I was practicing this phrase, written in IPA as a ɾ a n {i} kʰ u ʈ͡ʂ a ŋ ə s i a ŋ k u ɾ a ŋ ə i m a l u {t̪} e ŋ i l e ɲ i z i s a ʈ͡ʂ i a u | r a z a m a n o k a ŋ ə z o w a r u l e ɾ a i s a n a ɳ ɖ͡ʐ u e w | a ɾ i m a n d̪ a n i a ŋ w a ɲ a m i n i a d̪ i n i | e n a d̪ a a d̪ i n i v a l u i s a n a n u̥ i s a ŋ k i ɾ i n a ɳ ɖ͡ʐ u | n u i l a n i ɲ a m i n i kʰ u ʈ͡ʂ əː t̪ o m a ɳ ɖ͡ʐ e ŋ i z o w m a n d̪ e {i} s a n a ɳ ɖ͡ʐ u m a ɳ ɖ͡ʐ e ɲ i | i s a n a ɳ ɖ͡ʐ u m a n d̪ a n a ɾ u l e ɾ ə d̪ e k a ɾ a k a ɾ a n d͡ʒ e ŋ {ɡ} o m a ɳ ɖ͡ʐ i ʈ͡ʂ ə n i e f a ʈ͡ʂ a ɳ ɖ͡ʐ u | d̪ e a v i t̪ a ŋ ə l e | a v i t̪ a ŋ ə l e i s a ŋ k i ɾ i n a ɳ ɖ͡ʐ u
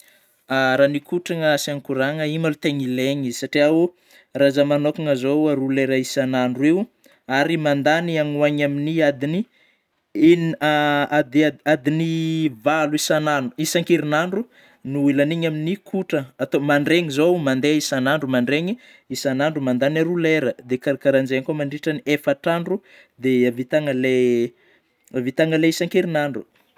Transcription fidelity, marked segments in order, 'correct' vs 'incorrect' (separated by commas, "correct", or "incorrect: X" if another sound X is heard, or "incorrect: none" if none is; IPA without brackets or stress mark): correct, correct, correct, incorrect: k